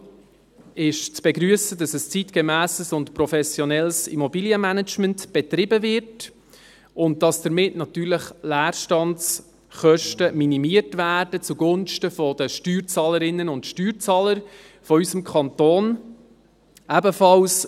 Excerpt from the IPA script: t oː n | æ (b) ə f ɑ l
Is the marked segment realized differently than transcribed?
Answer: no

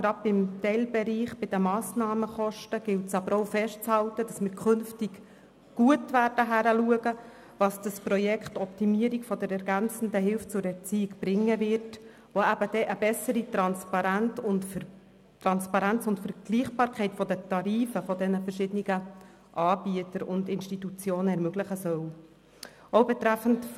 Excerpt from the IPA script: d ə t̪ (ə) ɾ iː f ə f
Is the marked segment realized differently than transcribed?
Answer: yes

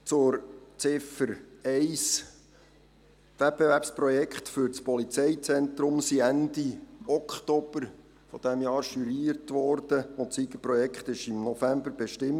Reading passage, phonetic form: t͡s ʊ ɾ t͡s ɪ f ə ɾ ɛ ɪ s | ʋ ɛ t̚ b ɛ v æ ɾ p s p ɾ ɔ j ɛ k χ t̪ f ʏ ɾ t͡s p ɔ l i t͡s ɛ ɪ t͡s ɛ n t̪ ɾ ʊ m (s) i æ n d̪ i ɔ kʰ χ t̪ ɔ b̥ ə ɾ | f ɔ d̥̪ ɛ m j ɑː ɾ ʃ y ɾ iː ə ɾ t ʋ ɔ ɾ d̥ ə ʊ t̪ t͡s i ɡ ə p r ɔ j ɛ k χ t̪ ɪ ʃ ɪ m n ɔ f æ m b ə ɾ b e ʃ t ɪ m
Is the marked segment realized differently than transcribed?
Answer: no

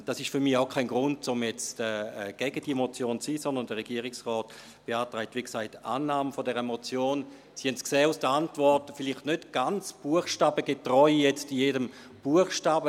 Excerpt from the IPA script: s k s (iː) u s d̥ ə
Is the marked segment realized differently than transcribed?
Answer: yes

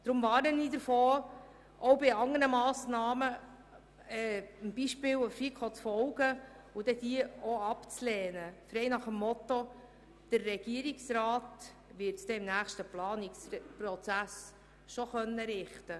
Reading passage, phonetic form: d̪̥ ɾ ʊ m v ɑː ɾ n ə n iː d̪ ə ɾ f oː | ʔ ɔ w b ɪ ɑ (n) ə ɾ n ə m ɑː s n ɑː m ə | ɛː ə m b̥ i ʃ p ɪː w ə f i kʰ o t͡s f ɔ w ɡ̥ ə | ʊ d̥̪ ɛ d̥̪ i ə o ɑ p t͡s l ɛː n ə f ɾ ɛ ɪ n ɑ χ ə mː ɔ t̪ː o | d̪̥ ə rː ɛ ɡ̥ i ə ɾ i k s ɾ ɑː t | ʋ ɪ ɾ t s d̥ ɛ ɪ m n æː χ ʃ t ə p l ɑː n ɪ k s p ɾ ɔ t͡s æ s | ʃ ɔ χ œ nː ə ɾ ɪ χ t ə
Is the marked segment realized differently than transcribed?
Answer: yes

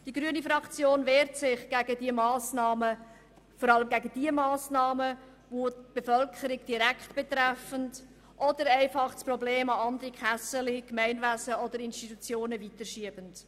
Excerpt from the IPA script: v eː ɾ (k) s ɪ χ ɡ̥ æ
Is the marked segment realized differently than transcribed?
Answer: yes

